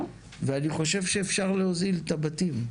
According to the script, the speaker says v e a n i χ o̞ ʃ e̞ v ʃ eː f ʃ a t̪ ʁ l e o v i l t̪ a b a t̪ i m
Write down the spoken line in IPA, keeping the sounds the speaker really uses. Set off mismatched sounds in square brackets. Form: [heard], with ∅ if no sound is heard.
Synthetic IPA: v e a n i χ o̞ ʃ e̞ v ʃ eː f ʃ a [∅] ʁ l e o [z] i l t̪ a b a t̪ i m